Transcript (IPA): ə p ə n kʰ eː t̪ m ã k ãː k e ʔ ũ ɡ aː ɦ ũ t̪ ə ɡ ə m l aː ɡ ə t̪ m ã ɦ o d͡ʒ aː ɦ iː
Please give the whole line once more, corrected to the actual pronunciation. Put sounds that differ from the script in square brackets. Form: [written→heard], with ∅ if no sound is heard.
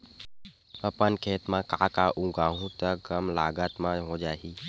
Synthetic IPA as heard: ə p ə n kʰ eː t̪ m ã k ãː k [e→a] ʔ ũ ɡ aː ɦ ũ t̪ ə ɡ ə m l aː ɡ ə t̪ m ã ɦ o d͡ʒ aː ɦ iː